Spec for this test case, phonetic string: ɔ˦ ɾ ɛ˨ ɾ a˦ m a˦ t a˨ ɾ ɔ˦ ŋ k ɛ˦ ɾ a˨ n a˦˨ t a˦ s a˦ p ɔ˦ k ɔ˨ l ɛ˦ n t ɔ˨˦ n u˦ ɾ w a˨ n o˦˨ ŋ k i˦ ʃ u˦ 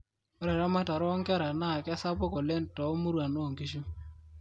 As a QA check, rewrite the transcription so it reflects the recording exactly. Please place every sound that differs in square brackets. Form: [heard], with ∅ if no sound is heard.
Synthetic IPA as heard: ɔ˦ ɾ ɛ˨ ɾ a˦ m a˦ t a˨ ɾ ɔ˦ ŋ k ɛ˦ ɾ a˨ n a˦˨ [k] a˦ s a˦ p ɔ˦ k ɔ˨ l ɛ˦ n t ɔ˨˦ [m] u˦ ɾ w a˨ n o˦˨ ŋ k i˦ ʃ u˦